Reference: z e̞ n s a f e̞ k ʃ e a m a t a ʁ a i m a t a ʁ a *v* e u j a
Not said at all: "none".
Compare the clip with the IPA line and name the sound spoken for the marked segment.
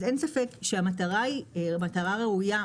ʁ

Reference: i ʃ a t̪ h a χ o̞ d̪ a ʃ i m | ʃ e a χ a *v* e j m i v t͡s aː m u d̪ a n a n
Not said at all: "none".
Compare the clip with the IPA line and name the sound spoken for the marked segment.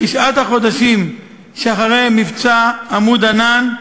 ʁ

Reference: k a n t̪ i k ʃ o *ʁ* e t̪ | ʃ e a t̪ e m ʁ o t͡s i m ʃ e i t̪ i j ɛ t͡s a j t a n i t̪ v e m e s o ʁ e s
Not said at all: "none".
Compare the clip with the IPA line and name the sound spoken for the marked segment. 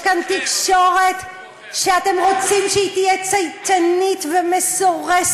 ʁ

